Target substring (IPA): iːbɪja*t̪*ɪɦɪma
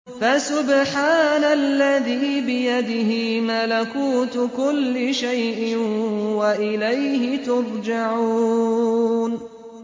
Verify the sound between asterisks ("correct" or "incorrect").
incorrect